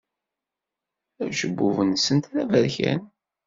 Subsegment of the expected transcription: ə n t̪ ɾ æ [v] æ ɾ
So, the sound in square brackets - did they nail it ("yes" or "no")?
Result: yes